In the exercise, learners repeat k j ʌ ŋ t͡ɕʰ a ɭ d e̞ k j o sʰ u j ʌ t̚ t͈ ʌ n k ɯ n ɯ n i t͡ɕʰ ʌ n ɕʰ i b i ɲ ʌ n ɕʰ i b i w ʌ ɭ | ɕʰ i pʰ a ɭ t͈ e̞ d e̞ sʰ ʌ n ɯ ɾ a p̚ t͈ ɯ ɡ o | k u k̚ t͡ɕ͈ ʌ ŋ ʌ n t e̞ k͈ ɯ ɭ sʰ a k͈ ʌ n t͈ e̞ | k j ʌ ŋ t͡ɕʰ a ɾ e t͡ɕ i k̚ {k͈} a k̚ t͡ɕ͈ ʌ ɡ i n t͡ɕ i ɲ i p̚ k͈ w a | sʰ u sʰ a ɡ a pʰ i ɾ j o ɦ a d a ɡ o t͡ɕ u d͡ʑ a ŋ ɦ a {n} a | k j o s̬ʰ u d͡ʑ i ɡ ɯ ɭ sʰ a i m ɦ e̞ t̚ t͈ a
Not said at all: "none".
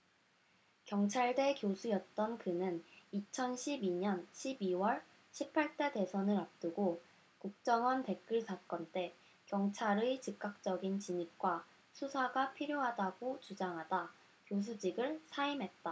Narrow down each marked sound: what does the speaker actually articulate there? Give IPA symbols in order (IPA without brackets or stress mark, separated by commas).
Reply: k͈, d